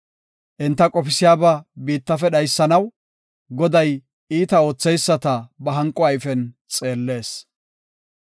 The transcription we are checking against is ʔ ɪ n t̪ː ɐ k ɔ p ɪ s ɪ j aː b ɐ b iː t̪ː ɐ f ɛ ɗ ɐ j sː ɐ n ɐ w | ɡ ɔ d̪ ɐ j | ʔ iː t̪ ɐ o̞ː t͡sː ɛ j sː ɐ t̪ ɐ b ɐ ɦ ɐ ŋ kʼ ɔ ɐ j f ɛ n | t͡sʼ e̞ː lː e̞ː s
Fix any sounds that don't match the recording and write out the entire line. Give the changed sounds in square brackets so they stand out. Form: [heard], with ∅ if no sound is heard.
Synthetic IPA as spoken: ʔ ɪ n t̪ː ɐ [kʼ] ɔ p ɪ s ɪ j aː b ɐ b iː t̪ː ɐ f ɛ ɗ ɐ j sː ɐ n ɐ w | ɡ ɔ d̪ ɐ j | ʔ iː t̪ ɐ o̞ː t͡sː ɛ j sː ɐ t̪ ɐ b ɐ ɦ ɐ ŋ kʼ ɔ ɐ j f ɛ n | t͡sʼ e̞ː lː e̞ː s